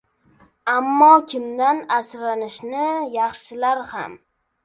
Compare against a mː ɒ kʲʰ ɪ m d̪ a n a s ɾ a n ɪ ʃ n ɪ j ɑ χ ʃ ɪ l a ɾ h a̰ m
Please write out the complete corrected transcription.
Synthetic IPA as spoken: a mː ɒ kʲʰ ɪ m d̪ a n a s ɾ a n ɪ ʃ n ɪ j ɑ χ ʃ ɪ l a ɾ h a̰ m